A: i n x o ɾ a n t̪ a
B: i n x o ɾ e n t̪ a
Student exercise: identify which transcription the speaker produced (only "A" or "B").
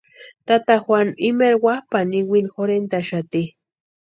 B